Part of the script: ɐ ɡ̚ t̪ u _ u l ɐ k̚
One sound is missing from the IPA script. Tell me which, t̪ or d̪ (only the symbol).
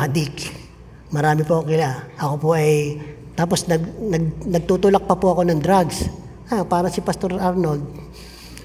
t̪